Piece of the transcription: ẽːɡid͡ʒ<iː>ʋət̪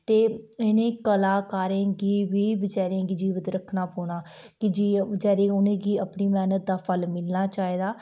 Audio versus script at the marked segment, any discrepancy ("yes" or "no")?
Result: no